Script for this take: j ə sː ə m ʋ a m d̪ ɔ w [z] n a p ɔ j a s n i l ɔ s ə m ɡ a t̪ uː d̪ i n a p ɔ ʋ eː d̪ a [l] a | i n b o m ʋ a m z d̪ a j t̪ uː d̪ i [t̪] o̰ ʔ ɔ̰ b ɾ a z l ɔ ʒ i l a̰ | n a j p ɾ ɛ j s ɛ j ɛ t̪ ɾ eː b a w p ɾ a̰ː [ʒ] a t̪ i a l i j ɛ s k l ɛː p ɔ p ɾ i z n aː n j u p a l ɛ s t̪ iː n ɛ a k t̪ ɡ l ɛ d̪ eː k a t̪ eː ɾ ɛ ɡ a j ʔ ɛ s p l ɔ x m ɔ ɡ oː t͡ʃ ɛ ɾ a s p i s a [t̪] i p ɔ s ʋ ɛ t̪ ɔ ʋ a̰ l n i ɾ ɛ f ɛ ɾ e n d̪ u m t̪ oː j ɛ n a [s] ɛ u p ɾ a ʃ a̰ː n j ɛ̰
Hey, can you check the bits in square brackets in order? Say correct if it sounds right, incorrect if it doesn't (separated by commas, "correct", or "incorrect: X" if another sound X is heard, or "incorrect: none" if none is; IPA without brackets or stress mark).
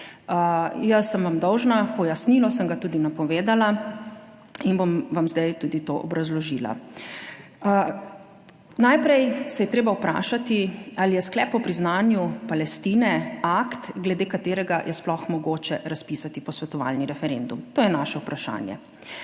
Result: incorrect: ʒ, correct, correct, incorrect: ʃ, correct, incorrect: ʃ